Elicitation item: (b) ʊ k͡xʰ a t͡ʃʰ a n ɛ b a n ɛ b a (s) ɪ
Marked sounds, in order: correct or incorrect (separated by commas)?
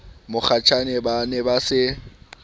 incorrect, correct